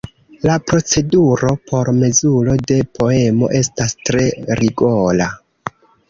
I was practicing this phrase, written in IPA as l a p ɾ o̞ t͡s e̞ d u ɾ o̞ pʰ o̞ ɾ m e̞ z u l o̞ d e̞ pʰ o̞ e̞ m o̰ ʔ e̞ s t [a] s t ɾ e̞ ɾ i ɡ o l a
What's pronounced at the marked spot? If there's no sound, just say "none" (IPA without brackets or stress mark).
a